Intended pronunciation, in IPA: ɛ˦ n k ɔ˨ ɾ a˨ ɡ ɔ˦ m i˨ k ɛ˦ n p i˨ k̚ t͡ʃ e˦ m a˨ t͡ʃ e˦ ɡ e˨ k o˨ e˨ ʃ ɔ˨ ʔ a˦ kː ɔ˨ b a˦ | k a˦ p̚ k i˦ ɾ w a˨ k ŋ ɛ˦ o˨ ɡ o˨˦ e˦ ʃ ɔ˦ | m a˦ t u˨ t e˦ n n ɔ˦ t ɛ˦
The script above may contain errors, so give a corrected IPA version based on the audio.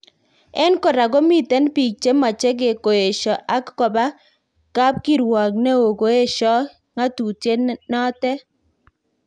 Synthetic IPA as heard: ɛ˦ n k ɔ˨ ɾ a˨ ɡ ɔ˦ m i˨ t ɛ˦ n p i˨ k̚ t͡ʃ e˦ m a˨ t͡ʃ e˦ ɡ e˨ k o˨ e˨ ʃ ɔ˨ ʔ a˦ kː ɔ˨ b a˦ | k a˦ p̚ k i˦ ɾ w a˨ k n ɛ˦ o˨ ɡ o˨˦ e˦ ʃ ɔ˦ | ŋ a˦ t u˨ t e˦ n n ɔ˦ t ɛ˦

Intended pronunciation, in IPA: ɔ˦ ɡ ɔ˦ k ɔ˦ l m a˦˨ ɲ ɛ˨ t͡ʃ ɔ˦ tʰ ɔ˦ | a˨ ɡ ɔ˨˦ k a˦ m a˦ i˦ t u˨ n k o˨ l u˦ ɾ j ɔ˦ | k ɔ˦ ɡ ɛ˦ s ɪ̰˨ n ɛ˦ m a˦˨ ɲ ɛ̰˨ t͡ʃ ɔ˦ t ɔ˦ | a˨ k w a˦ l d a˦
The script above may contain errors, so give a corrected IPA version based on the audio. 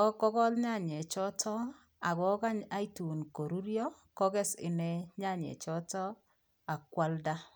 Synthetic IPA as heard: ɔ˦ k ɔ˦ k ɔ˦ l ɲ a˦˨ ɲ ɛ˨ t͡ʃ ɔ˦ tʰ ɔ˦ | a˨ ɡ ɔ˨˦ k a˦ ɲ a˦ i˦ t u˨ n k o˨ ɾ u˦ ɾ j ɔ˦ | k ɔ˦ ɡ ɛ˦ s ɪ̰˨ n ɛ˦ ɲ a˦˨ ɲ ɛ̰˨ t͡ʃ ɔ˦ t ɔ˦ | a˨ k w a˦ l d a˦

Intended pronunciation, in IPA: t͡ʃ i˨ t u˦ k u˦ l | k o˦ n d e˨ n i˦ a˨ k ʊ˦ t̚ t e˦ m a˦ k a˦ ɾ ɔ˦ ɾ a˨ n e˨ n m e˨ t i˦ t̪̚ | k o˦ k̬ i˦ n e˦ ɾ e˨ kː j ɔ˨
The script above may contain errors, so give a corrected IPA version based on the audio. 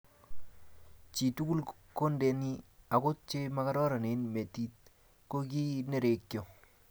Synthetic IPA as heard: t͡ʃ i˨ t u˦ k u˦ l | k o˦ n d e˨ n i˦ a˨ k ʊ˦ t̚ t͡ʃ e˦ m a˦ k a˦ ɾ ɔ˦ ɾ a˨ n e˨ n m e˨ t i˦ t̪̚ | k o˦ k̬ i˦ n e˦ ɾ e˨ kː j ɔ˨

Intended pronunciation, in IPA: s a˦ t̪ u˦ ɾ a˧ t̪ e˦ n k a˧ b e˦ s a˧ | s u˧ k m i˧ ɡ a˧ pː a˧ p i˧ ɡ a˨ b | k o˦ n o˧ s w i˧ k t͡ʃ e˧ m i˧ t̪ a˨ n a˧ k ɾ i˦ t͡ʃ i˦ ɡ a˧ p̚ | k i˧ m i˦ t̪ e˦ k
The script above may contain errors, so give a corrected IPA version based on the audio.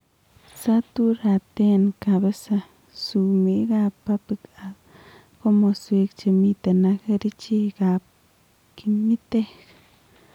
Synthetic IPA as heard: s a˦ t̪ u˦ ɾ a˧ t̪ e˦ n k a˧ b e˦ s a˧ | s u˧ m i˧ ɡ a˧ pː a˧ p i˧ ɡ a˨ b | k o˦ m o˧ s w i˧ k t͡ʃ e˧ m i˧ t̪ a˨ n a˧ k ɾ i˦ t͡ʃ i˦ ɡ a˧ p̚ | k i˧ m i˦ t̪ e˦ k

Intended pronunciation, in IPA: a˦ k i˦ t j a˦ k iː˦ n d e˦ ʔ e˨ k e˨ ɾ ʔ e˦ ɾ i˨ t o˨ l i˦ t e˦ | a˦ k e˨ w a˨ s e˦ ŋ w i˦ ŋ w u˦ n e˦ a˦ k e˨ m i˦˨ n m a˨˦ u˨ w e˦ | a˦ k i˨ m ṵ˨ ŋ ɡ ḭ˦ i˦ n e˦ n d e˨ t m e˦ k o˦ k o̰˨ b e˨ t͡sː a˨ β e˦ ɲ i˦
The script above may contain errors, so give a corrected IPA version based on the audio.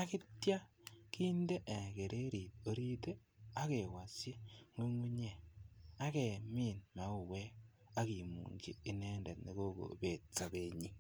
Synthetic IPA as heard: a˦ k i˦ t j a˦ k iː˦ n d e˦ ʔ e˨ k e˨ ɾ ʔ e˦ ɾ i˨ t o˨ ɾ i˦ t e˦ | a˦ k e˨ w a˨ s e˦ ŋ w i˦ ŋ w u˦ ɲ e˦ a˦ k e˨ m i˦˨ n m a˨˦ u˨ w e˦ | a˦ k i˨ m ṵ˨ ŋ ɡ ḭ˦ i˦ n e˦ n d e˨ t n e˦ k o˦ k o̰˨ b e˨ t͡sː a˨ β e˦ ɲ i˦

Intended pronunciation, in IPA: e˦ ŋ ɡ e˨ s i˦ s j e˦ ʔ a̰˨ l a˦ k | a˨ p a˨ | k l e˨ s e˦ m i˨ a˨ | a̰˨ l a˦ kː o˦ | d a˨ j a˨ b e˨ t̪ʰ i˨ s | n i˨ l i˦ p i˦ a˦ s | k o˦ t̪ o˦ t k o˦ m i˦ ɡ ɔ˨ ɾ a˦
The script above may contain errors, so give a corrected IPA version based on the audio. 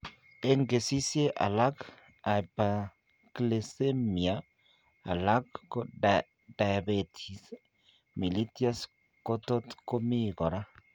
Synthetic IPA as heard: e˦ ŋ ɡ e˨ s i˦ s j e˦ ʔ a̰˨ l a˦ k | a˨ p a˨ | k l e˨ s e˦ m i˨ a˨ | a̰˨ l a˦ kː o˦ | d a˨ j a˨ b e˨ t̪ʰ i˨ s | m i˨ l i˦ t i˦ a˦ s | k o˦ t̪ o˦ t k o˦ m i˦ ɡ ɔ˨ ɾ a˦

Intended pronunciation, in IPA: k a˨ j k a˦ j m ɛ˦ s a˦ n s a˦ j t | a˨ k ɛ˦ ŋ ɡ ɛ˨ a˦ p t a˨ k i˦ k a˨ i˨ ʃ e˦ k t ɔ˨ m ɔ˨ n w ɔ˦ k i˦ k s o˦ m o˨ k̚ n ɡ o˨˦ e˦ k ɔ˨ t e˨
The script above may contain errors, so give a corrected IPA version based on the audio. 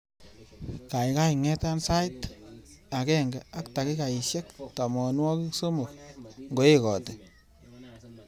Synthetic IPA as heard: k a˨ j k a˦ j ŋ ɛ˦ t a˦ n s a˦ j t | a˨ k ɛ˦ ŋ ɡ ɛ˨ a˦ k t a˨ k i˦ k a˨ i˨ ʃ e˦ k t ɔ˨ m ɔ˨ n w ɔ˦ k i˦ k s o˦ m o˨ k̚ ŋ ɡ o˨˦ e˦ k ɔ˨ t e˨

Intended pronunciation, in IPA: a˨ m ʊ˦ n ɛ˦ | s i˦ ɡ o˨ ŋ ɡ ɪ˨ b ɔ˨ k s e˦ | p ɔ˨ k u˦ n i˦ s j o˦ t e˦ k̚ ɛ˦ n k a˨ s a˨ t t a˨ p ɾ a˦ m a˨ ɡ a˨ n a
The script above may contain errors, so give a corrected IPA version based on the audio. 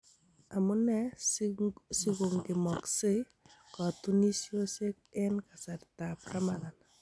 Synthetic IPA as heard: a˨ m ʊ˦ n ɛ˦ | s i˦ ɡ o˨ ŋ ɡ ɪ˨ m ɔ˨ k s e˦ | k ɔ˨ t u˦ n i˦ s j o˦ s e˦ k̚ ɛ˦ n k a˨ s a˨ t t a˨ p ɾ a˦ m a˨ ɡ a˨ n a

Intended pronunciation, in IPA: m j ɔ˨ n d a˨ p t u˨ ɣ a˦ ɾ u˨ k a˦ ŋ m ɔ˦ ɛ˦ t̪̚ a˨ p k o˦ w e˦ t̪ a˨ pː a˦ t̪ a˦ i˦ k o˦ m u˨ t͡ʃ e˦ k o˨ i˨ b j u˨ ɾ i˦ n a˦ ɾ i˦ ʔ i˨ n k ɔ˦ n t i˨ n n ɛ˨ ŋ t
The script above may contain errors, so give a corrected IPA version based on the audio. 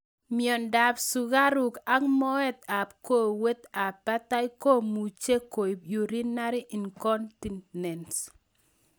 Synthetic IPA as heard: m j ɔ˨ n d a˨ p s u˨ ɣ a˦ ɾ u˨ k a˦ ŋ m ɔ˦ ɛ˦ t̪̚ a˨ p k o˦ w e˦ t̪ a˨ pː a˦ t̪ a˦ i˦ k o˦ m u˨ t͡ʃ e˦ k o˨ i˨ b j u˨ ɾ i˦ n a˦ ɾ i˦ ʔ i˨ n k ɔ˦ n t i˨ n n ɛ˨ n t

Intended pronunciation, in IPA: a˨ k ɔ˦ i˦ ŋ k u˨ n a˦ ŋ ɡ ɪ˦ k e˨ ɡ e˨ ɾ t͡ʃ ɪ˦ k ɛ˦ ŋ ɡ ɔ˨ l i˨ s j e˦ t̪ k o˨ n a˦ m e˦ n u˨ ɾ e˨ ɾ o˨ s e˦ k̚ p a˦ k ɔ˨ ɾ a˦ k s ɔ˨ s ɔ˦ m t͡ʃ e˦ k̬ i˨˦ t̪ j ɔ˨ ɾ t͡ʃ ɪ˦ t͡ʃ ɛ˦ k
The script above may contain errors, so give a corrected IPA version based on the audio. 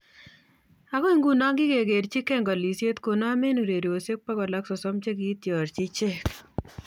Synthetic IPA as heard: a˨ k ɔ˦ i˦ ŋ ɡ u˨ n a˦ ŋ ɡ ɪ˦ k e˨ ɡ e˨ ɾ t͡ʃ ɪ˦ k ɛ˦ ŋ ɡ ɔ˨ l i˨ s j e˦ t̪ k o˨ n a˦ m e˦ n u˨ ɾ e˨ ɾ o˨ s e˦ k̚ p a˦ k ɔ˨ l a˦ k s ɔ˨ s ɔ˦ m t͡ʃ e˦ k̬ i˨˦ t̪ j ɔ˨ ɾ t͡ʃ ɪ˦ t͡ʃ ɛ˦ k

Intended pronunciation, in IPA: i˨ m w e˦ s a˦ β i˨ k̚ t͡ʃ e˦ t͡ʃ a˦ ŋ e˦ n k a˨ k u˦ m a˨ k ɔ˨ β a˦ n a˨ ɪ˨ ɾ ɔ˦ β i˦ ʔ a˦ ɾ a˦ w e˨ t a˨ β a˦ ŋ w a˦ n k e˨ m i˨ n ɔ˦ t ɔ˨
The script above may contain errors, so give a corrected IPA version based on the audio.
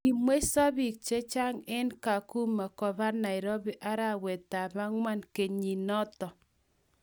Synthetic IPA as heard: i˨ m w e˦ s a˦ β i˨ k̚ t͡ʃ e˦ t͡ʃ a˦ ŋ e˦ n k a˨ k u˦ m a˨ k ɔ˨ β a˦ n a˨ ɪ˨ ɾ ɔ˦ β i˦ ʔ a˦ ɾ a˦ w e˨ t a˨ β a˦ ŋ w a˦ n k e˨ ɲ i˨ n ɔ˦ t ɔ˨

